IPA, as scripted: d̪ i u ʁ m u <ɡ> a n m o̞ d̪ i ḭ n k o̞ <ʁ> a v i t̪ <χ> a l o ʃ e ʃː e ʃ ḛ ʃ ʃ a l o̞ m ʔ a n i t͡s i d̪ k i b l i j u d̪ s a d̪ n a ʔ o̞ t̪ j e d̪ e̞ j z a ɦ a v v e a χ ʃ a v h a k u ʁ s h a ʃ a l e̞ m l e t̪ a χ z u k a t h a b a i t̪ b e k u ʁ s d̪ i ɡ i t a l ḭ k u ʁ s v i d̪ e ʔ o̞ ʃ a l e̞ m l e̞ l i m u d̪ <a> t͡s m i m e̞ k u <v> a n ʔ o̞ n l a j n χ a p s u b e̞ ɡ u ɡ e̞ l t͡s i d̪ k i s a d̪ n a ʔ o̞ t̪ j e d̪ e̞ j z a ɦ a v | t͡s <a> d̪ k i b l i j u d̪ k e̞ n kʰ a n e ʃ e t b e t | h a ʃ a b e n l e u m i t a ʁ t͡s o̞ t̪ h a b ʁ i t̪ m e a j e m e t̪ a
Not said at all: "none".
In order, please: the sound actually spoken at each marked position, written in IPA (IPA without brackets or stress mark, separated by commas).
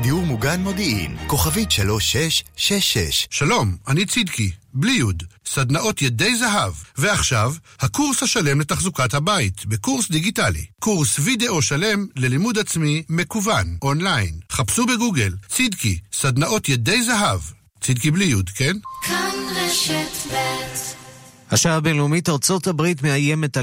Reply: ɡ, χ, ʃ, a, v, i